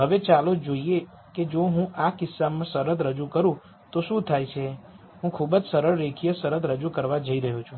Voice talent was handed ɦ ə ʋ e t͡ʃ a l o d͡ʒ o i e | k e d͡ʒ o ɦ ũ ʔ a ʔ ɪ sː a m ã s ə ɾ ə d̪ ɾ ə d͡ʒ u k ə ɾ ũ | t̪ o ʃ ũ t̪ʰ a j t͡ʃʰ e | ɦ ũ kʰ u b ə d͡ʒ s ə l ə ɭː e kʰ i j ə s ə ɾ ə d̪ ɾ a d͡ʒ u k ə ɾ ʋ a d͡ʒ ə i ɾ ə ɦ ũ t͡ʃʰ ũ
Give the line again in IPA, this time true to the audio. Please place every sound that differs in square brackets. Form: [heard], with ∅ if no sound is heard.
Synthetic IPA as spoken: ɦ ə ʋ e t͡ʃ a l o d͡ʒ o i e | k e d͡ʒ o ɦ ũ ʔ a [k] ɪ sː a m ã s ə ɾ ə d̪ ɾ ə d͡ʒ u k ə ɾ ũ | t̪ o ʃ ũ t̪ʰ a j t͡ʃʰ e | ɦ ũ kʰ u b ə d͡ʒ s ə [ɾ] ə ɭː e kʰ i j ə s ə ɾ ə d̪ ɾ [ə] d͡ʒ u k ə ɾ ʋ a d͡ʒ ə i ɾ ə ɦ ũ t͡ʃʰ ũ